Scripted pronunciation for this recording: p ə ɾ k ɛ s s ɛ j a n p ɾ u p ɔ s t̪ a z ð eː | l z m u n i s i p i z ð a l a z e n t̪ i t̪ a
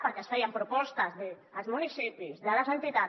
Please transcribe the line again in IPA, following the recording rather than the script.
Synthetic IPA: p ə ɾ k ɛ s f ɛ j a m p ɾ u p ɔ s t̪ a z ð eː | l z m u n i s i p i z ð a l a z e n t̪ i t̪ a